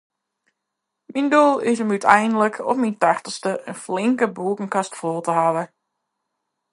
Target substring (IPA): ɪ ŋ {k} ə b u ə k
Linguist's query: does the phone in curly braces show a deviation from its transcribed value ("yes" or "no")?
no